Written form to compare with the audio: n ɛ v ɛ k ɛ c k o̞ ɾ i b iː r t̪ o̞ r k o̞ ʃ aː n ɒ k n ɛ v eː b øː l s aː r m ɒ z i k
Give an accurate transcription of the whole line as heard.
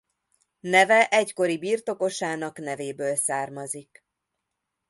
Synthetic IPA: n ɛ v ɛ ʔ ɛ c k o̞ ɾ i b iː r t̪ o̞ k o̞ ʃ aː n ɒ k n ɛ v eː b øː l s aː r m ɒ z i k